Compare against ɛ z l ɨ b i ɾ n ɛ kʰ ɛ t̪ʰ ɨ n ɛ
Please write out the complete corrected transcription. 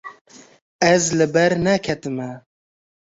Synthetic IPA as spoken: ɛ z l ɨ b ɛ ɾ n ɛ kʰ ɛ t̪ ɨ m ɛ